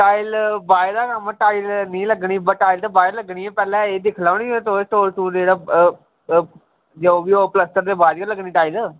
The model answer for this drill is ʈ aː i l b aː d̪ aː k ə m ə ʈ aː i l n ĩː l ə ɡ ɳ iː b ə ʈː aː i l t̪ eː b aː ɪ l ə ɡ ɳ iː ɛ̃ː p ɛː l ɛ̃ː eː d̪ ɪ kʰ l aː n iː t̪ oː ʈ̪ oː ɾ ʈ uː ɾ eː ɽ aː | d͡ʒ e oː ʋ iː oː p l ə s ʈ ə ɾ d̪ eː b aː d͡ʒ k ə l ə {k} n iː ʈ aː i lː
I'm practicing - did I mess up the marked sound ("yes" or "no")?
yes